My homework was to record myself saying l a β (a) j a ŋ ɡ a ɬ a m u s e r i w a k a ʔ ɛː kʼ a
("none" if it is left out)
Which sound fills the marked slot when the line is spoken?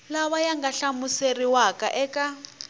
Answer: a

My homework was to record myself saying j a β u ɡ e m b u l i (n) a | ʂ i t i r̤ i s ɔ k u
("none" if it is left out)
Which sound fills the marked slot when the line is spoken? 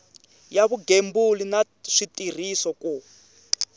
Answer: n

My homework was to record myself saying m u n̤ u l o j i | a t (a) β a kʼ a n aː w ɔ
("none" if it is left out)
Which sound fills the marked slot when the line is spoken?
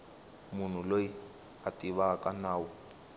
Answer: i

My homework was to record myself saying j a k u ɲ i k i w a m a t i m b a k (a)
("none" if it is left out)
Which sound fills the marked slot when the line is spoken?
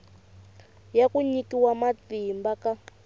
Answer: a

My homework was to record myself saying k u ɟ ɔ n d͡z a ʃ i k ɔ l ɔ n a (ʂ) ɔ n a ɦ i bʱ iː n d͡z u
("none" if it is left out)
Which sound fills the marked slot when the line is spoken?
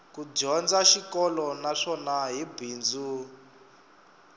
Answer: ʂ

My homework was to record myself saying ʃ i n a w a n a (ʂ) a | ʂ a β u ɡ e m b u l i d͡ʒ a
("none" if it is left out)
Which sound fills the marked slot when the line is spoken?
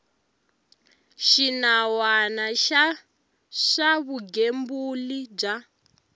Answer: ʃ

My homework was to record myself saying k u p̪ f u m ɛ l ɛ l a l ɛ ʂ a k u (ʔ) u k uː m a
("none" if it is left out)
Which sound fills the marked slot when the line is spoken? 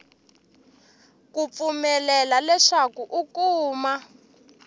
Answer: ʔ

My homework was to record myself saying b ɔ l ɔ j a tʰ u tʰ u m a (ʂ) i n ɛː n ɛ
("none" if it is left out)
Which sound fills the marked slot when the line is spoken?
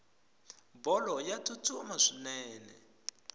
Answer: ʂ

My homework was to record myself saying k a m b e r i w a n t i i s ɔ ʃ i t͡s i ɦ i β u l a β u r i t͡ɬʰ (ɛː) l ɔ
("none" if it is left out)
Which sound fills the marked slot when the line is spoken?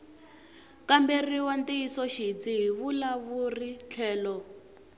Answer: ɛː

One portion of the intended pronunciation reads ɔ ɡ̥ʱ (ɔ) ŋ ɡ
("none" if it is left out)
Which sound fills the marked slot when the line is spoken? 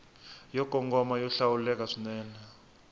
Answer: ɔ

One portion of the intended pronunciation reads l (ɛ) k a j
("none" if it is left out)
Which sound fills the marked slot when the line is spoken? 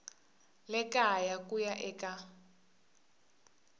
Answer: ɛ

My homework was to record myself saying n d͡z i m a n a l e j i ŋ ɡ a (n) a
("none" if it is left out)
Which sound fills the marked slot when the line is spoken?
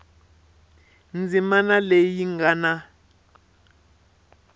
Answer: n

